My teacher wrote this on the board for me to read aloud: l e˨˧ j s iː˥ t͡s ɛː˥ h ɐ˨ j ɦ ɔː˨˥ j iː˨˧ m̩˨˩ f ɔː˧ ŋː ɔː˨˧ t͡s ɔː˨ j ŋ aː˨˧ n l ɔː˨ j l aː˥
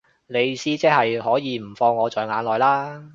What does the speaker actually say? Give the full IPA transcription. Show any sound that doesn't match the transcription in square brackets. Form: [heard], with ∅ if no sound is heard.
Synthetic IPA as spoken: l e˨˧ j s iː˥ t͡s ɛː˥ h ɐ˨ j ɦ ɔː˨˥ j iː˨˧ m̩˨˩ f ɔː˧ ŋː ɔː˨˧ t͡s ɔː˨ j ŋ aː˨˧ n l ɔː˨ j l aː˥